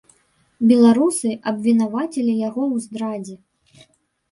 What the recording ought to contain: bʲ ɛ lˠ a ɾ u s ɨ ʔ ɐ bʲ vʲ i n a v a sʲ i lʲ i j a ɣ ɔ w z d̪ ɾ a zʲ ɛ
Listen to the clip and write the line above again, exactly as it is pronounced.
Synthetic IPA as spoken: bʲ ɛ lˠ a ɾ u s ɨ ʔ ɐ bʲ vʲ i n a v a t͡sʲ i lʲ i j a ɣ ɔ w z d̪ ɾ a d͡zʲ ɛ